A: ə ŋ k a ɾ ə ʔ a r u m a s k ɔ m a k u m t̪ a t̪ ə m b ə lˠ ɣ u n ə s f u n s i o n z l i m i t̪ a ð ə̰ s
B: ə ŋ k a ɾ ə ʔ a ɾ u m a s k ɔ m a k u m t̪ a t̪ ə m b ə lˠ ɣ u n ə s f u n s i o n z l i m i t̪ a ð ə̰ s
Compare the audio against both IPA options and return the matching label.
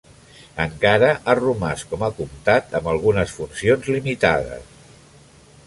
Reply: A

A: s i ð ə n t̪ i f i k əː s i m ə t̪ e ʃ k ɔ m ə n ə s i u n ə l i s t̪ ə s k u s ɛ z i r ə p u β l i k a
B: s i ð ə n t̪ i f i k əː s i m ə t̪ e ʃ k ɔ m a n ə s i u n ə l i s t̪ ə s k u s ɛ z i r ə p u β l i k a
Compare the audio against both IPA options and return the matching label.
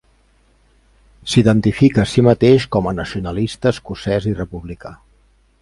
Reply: A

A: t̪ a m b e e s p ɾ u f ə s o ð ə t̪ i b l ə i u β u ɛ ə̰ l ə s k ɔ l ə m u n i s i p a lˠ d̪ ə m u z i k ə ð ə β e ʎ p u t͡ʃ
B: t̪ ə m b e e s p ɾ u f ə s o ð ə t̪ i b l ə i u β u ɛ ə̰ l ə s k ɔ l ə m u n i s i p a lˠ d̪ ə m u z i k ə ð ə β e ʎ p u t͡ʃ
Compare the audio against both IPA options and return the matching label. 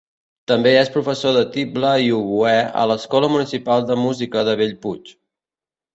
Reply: B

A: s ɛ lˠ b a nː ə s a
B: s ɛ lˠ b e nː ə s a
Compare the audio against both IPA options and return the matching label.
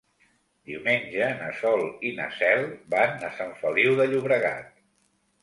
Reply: A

